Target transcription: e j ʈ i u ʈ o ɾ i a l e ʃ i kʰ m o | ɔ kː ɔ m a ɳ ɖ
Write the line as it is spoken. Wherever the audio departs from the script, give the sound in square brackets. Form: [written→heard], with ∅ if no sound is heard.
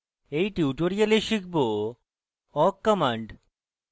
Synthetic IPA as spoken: e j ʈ i u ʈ o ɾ i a l e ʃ i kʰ [m→b] o | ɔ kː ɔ m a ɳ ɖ